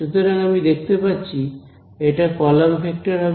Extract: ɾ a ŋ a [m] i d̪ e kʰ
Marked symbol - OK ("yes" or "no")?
yes